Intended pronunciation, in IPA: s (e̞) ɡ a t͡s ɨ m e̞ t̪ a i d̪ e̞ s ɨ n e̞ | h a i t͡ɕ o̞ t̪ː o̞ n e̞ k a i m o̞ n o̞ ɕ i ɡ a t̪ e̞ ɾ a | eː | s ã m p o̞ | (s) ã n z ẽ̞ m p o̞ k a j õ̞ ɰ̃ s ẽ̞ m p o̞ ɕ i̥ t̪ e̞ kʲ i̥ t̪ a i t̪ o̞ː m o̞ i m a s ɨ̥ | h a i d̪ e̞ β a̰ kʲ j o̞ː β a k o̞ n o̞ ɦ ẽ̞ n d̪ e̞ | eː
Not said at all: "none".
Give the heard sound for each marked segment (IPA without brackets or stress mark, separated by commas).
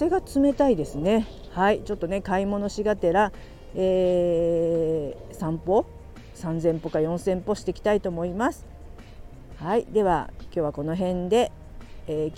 e̞, s